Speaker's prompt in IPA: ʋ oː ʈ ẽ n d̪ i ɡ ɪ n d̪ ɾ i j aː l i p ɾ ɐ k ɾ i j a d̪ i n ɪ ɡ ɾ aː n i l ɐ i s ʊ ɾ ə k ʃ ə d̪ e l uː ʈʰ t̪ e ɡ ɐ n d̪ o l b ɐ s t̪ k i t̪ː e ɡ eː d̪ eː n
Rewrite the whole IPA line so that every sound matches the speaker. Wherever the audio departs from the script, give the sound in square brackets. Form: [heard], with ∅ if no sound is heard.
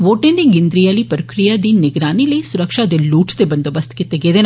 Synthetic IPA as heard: ʋ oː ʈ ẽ n d̪ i ɡ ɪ n d̪ ɾ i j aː l i p ɾ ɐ k ɾ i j a d̪ i n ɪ ɡ ɾ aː n i l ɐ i s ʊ ɾ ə k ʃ [a] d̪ e l uː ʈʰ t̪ e [b] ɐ n d̪ o [∅] b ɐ s t̪ k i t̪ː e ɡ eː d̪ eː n

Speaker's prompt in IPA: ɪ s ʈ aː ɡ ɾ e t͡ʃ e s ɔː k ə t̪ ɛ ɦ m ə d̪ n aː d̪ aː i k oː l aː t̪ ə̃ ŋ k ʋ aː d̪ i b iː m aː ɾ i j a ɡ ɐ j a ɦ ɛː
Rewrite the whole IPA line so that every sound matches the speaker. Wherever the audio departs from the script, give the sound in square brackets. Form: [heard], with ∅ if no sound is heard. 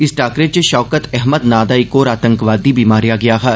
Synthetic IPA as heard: ɪ s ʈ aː [k] ɾ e t͡ʃ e [ʃ] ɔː k ə t̪ ɛ ɦ m ə d̪ n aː d̪ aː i k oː [ɾ] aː t̪ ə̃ ŋ k ʋ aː d̪ i b iː m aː ɾ i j a ɡ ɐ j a ɦ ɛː

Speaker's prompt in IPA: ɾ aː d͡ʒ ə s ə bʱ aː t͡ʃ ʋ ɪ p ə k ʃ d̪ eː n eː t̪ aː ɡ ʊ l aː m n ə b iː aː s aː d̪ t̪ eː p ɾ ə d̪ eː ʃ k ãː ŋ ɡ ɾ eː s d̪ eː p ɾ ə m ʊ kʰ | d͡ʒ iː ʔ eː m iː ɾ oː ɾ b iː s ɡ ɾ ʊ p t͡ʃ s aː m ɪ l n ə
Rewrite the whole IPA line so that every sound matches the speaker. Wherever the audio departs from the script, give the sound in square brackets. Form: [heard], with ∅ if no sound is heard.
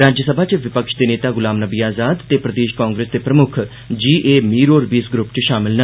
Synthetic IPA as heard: ɾ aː d͡ʒ ə s ə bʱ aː t͡ʃ ʋ ɪ p ə k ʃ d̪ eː n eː t̪ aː ɡ ʊ l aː m n ə b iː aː [z] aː d̪ t̪ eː p ɾ ə d̪ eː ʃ k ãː ŋ ɡ ɾ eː s d̪ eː p ɾ ə m ʊ kʰ | d͡ʒ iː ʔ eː m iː ɾ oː ɾ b iː s ɡ ɾ ʊ p t͡ʃ [ʃ] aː m ɪ l n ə

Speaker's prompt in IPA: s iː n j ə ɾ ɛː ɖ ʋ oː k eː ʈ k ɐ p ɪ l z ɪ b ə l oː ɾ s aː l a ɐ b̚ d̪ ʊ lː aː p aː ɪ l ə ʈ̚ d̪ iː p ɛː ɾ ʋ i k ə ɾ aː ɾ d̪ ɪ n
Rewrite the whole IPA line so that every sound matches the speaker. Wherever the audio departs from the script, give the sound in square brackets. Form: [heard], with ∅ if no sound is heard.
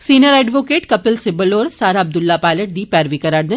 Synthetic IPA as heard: s iː n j ə ɾ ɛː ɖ ʋ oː k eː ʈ k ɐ p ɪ l [s] ɪ b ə l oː ɾ s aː [ɾ] a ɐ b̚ d̪ ʊ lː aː p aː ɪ l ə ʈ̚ d̪ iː p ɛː ɾ ʋ i k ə ɾ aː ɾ d̪ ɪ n

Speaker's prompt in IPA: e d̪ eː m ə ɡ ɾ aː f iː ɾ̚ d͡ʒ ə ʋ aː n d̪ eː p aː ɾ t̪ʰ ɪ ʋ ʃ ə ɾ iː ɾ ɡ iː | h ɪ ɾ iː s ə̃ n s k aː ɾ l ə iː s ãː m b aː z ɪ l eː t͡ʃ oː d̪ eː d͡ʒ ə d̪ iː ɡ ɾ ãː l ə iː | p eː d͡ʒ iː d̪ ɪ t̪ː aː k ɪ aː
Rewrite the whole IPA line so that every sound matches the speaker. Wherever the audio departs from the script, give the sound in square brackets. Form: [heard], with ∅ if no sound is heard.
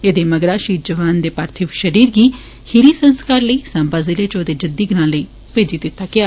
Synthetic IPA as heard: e d̪ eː m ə ɡ ɾ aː [ʃ] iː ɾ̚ d͡ʒ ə ʋ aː n d̪ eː p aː ɾ t̪ʰ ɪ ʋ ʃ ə ɾ iː ɾ ɡ iː | h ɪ ɾ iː s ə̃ n s k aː ɾ l ə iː s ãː m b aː z ɪ l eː t͡ʃ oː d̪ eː d͡ʒ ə d̪ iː ɡ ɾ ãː l ə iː | p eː d͡ʒ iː d̪ ɪ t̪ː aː k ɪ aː

